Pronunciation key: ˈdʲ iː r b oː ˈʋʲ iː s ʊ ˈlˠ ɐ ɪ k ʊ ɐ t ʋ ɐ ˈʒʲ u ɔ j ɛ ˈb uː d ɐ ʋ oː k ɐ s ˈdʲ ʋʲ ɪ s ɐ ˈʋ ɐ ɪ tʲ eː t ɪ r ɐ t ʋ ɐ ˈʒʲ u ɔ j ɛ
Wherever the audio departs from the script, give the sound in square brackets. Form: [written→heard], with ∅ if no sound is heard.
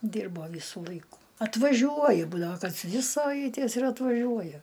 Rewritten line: ˈdʲ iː r b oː ˈʋʲ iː s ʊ ˈlˠ ɐ ɪ k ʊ ɐ t ʋ ɐ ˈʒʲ u ɔ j ɛ ˈb uː d ɐ ʋ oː k ɐ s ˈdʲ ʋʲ ɪ s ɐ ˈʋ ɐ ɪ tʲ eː [t→s] ɪ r ɐ t ʋ ɐ ˈʒʲ u ɔ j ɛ